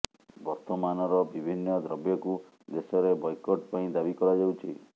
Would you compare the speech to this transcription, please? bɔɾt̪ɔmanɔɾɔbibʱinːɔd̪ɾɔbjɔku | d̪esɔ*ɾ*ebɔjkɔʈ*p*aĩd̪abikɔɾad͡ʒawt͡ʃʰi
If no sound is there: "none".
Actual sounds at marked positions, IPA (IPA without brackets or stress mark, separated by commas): ɾ, p